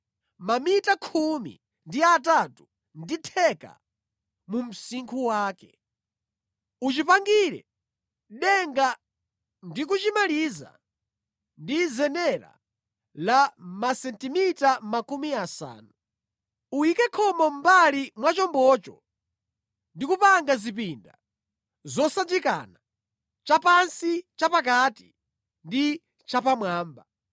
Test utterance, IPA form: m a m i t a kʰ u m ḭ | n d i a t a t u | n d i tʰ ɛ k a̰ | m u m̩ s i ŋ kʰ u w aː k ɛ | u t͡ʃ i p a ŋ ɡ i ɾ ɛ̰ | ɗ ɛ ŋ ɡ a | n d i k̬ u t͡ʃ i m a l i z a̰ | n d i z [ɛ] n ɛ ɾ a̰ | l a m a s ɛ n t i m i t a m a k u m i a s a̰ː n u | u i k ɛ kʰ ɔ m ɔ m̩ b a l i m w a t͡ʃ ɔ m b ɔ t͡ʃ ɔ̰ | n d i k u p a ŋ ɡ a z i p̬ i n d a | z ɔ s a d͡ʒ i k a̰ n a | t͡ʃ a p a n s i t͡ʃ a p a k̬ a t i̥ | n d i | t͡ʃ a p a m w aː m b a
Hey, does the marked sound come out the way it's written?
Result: yes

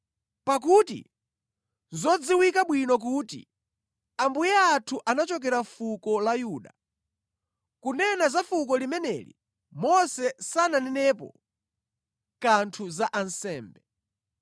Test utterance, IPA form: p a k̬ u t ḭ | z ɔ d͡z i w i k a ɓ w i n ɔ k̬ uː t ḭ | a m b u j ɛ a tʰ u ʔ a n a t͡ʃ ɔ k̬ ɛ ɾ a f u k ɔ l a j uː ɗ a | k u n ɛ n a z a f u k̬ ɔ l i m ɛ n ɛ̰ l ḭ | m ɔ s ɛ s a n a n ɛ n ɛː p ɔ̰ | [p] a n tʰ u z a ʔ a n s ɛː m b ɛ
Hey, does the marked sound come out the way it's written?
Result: no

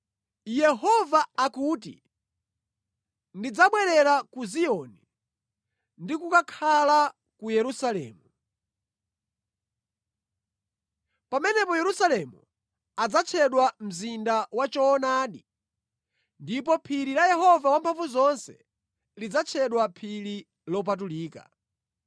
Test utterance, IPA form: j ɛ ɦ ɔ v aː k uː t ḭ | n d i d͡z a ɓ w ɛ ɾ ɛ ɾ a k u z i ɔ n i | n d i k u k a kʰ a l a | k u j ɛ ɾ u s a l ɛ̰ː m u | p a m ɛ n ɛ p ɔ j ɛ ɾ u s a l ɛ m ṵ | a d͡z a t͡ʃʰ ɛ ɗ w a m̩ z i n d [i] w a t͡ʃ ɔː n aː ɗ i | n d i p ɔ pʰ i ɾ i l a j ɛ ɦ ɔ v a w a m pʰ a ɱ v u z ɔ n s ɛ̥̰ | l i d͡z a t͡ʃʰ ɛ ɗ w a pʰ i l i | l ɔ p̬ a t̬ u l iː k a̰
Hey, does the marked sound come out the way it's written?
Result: no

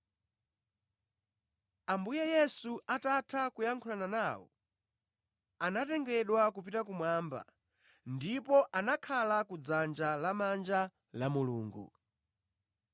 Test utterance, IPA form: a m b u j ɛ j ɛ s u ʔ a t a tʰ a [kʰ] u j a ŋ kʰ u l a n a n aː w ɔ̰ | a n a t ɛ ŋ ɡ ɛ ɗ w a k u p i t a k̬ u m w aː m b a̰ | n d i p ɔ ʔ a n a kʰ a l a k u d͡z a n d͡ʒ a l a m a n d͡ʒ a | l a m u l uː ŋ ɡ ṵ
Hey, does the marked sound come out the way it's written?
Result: no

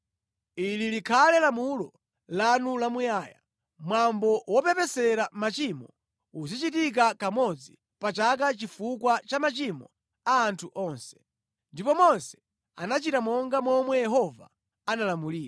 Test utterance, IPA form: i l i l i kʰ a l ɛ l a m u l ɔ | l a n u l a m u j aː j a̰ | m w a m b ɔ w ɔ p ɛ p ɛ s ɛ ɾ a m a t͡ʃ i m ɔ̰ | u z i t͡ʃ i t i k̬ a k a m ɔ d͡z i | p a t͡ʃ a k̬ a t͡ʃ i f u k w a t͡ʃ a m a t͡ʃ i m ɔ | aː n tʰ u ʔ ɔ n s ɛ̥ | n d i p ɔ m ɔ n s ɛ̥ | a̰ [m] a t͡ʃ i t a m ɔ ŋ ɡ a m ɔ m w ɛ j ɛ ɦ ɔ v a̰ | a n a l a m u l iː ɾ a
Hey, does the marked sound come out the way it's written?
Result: no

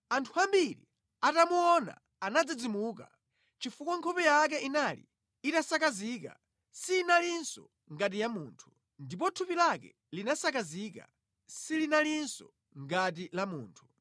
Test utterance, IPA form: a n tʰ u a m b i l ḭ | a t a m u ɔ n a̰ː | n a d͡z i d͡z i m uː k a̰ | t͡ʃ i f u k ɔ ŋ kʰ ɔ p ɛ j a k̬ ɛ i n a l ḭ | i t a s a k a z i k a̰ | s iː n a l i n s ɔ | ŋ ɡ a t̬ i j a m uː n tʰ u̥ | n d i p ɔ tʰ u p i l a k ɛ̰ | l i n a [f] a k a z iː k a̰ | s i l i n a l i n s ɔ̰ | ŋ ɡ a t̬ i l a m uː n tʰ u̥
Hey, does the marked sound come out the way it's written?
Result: no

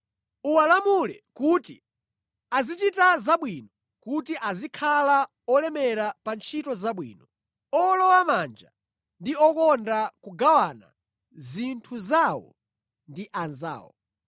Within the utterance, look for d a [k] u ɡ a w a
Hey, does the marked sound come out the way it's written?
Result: yes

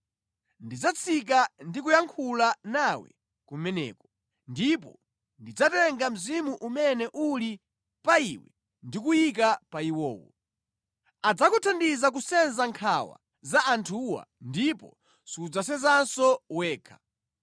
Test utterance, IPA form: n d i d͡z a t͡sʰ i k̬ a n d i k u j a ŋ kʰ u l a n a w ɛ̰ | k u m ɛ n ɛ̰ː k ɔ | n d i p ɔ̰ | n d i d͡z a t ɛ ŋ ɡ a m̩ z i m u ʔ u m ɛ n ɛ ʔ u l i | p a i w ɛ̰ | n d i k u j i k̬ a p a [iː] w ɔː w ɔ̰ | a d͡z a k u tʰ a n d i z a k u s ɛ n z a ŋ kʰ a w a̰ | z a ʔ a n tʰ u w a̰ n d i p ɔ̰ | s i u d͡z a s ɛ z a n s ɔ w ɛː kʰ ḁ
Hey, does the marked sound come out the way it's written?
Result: no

